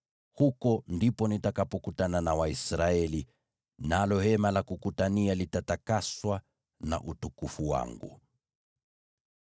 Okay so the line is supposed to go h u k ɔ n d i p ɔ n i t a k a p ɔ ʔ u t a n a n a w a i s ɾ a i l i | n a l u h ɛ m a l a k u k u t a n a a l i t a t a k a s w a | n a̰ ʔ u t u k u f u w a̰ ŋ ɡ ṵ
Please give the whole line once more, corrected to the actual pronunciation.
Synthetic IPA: h u k ɔ n d i p ɔ n i t a k a p ɔ k u t a n a n a w a i s ɾ a ɛ l i | n a l ɔ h ɛ m a l a k u k u t a n i a l i t a t a k a s w a | n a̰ ʔ u t u k u f u w a̰ ŋ ɡ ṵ